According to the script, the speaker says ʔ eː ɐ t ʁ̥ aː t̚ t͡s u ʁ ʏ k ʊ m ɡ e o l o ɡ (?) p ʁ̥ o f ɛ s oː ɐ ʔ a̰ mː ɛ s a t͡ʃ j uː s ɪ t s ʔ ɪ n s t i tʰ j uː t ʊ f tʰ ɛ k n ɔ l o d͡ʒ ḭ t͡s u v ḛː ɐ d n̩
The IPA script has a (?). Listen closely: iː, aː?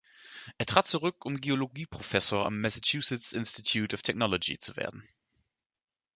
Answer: iː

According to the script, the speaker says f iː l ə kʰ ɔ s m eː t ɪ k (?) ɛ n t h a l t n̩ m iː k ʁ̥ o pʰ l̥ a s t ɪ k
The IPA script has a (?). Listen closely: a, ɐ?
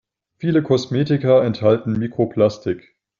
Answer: ɐ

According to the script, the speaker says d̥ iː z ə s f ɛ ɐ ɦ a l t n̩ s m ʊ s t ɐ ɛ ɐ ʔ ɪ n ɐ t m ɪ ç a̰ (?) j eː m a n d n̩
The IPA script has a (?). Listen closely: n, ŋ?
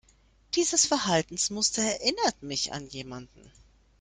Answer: n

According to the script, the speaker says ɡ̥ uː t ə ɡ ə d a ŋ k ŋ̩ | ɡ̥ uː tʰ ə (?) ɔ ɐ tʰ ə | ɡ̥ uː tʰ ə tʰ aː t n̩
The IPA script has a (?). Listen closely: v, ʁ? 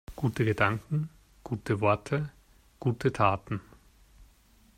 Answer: v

